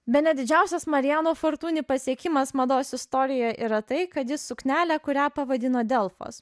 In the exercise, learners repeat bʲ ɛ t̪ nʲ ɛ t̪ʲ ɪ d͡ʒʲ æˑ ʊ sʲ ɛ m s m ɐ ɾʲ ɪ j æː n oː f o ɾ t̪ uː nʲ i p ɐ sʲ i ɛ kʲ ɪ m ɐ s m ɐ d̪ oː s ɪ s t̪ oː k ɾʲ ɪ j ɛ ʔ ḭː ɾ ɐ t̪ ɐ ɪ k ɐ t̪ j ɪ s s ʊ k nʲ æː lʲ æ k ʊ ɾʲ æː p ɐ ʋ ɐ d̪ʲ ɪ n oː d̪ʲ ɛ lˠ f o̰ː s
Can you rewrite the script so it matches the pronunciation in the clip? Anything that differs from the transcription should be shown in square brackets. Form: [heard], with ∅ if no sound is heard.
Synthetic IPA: bʲ ɛ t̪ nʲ ɛ [d̪ʲ] ɪ d͡ʒʲ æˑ ʊ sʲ ɛ [∅] s m ɐ ɾʲ ɪ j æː n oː f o ɾ t̪ uː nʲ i p ɐ sʲ i ɛ kʲ ɪ m ɐ s m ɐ d̪ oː s ɪ s t̪ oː [∅] ɾʲ ɪ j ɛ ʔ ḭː ɾ ɐ t̪ ɐ ɪ k ɐ t̪ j ɪ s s ʊ k nʲ æː lʲ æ k ʊ ɾʲ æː p ɐ ʋ ɐ d̪ʲ ɪ n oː d̪ʲ ɛ lˠ f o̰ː s

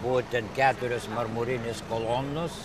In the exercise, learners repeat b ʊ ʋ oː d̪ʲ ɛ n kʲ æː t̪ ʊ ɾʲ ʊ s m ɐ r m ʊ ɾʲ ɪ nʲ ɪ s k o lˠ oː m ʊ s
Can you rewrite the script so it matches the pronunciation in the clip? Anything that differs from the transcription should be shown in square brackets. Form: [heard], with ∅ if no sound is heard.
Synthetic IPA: b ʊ ʋ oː [t̪ʲ] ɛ n kʲ æː t̪ ʊ ɾʲ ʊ s m ɐ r m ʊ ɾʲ ɪ nʲ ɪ s k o lˠ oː [n] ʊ s

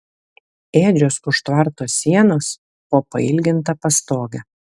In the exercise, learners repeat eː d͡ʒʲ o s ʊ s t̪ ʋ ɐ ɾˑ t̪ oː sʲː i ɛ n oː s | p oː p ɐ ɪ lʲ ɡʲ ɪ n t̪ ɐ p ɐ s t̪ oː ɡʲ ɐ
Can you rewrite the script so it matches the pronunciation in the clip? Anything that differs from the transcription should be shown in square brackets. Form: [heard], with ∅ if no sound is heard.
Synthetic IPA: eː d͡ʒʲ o s ʊ [ʃ] t̪ ʋ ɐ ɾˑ t̪ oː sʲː i ɛ n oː s | p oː p ɐ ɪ lʲ ɡʲ ɪ n t̪ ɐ p ɐ s t̪ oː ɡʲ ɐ

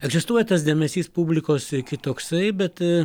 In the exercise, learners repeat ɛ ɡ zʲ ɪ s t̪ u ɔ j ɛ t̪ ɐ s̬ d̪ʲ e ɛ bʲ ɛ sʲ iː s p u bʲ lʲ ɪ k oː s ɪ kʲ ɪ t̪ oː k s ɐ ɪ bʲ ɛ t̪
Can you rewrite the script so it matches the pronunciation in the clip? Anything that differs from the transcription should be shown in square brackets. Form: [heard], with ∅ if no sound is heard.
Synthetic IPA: ɛ ɡ zʲ ɪ s t̪ u ɔ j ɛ t̪ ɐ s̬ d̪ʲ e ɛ [mʲ] ɛ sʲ iː s p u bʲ lʲ ɪ k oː s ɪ kʲ ɪ t̪ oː k s ɐ ɪ bʲ ɛ t̪

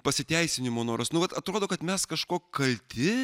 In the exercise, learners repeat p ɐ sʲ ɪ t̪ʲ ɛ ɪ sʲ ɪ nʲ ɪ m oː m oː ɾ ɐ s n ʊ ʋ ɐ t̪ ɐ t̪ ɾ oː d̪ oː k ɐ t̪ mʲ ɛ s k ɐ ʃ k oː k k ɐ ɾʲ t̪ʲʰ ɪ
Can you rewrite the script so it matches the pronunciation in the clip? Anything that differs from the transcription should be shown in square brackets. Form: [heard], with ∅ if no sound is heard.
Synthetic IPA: p ɐ sʲ ɪ t̪ʲ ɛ ɪ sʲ ɪ nʲ ɪ m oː [n] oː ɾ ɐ s n ʊ ʋ ɐ t̪ ɐ t̪ ɾ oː d̪ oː k ɐ t̪ mʲ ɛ s k ɐ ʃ k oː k k ɐ [lʲ] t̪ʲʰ ɪ

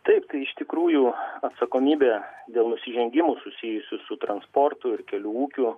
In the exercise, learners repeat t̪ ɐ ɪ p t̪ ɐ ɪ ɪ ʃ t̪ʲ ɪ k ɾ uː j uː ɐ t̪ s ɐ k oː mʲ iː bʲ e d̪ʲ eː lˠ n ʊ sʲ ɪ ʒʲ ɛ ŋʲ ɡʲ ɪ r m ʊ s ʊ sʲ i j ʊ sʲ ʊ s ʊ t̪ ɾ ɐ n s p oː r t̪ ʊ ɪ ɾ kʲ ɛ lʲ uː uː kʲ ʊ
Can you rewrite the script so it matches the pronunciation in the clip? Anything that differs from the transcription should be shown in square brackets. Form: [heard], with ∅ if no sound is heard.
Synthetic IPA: t̪ ɐ ɪ p t̪ ɐ ɪ ɪ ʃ t̪ʲ ɪ k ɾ uː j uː ɐ t̪ s ɐ k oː mʲ iː bʲ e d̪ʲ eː lˠ n ʊ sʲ ɪ ʒʲ ɛ ŋʲ ɡʲ ɪ [∅] m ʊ s ʊ sʲ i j ʊ sʲ ʊ s ʊ t̪ ɾ ɐ n s p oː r t̪ ʊ ɪ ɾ kʲ ɛ lʲ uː uː kʲ ʊ

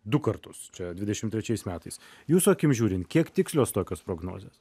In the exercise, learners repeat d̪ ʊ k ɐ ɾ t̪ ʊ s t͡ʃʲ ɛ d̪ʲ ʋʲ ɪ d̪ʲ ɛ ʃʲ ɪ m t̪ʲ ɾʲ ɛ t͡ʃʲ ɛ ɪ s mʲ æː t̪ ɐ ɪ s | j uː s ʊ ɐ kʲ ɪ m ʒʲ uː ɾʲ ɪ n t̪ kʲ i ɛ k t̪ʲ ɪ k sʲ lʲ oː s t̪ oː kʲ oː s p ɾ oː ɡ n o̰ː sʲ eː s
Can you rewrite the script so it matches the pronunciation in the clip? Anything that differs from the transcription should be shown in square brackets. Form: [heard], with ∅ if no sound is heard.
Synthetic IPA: d̪ ʊ k ɐ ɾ t̪ ʊ s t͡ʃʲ ɛ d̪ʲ ʋʲ ɪ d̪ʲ ɛ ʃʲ ɪ m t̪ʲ ɾʲ ɛ t͡ʃʲ ɛ ɪ s mʲ æː t̪ ɐ ɪ s | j uː s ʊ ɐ kʲ ɪ m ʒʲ uː ɾʲ ɪ n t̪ kʲ i ɛ k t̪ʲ ɪ k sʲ lʲ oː s t̪ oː kʲ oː s p ɾ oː ɡ n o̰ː [zʲ] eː s

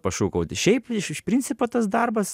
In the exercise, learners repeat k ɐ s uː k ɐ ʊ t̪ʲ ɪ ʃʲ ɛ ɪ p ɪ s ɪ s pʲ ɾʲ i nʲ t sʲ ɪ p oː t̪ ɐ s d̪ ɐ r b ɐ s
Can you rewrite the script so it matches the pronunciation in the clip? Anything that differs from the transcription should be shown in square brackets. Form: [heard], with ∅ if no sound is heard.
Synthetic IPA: [p] ɐ [ʃ] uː k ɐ ʊ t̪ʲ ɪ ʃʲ ɛ ɪ p ɪ [ʃ] ɪ [ʃ] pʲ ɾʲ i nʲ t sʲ ɪ p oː t̪ ɐ s d̪ ɐ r b ɐ s

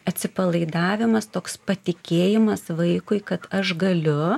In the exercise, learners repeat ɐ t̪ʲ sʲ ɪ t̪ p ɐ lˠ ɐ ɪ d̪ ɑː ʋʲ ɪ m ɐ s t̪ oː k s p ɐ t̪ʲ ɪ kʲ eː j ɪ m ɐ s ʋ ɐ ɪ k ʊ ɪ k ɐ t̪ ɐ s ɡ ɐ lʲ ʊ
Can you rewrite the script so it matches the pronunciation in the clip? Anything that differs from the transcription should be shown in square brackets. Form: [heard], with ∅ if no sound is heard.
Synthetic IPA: ɐ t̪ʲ sʲ ɪ [∅] p ɐ lˠ ɐ ɪ d̪ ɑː ʋʲ ɪ m ɐ s t̪ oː k s p ɐ t̪ʲ ɪ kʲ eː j ɪ m ɐ s ʋ ɐ ɪ k ʊ ɪ k ɐ t̪ ɐ [ʃ] ɡ ɐ lʲ ʊ

